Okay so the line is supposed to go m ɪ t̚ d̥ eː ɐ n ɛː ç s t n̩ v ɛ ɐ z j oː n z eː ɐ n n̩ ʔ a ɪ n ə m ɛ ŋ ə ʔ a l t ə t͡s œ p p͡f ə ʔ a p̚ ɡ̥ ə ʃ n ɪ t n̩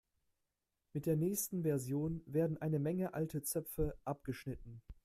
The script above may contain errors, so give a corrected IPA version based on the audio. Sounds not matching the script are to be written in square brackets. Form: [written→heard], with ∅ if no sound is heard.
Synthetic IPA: m ɪ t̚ d̥ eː ɐ n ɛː ç s t n̩ v ɛ ɐ z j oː n [z→v] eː ɐ [n→d] n̩ ʔ a ɪ n ə m ɛ ŋ ə ʔ a l t ə t͡s œ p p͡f ə ʔ a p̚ ɡ̥ ə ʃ n ɪ t n̩